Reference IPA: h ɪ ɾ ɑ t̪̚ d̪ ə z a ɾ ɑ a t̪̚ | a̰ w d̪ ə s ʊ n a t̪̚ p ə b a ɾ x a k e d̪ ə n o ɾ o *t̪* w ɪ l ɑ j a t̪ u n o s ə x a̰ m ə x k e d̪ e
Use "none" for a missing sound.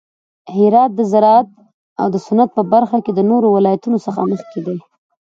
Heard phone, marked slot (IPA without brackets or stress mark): none